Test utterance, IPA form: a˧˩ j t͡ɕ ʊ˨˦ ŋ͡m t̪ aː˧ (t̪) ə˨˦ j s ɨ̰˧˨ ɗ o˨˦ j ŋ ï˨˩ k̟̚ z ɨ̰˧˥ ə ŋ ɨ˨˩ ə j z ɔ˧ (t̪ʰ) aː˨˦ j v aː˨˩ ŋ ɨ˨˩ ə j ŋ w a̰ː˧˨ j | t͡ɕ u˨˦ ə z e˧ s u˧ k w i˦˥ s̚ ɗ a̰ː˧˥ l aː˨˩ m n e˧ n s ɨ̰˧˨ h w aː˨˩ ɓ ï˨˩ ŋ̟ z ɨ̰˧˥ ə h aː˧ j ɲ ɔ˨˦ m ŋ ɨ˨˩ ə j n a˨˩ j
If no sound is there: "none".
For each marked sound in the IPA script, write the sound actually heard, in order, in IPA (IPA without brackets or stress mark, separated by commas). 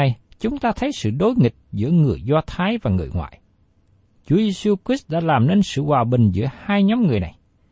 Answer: t̪ʰ, t̪ʰ